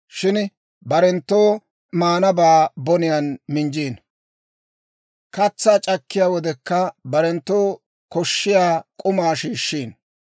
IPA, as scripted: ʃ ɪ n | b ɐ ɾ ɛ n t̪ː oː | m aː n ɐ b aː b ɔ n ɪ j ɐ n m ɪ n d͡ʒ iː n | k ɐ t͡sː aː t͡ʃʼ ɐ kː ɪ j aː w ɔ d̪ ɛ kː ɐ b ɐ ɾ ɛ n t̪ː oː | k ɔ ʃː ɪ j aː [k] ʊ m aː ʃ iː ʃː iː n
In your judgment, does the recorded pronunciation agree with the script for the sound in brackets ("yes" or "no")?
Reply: no